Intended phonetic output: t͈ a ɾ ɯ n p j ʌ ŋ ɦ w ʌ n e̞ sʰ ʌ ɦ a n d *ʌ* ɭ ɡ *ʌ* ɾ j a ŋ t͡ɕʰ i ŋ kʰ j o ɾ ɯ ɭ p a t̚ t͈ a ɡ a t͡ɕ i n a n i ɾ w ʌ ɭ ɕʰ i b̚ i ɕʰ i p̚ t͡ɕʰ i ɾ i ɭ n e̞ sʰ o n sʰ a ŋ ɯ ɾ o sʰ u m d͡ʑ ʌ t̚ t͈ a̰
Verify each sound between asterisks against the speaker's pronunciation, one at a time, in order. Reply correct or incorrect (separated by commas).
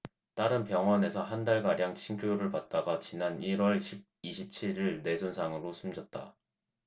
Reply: incorrect, incorrect